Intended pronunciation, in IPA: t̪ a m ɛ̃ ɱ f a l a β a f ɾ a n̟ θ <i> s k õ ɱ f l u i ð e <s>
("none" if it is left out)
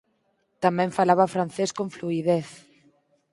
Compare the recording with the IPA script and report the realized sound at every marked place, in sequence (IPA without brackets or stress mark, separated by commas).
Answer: e, θ